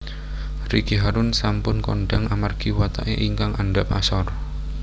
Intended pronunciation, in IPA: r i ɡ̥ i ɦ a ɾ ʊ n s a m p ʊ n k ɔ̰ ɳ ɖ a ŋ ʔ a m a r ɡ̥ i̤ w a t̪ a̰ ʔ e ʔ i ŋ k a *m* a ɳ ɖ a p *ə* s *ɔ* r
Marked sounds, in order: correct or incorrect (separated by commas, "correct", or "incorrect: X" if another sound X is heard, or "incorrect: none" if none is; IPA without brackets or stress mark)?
incorrect: ŋ, incorrect: a, correct